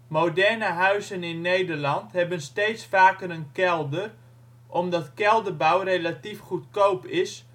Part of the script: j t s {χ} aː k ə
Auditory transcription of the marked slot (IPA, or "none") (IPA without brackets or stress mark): f